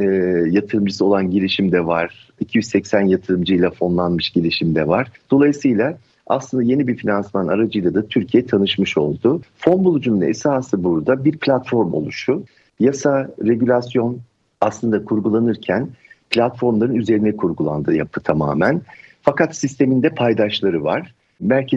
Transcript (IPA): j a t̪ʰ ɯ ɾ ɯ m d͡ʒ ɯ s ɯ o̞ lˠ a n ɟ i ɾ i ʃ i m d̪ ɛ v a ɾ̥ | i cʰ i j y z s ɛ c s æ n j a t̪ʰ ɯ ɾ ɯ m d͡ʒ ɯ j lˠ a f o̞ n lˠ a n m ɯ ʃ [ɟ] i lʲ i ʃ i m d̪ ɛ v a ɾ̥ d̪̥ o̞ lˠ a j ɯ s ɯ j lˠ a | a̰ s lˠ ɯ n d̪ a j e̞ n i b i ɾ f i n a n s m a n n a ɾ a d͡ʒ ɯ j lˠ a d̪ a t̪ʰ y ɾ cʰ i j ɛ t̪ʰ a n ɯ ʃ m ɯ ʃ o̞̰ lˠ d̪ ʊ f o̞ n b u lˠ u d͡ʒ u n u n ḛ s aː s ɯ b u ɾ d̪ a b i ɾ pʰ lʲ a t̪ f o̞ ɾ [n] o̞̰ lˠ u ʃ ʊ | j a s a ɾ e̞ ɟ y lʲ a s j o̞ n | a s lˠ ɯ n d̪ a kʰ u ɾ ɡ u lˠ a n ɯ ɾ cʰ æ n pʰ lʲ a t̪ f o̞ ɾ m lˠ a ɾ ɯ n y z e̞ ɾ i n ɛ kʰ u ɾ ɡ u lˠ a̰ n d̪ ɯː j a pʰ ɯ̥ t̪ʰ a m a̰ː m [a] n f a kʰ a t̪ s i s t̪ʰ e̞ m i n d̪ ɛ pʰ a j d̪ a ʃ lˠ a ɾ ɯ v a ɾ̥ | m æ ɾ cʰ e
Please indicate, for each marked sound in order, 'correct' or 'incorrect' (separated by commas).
correct, incorrect, incorrect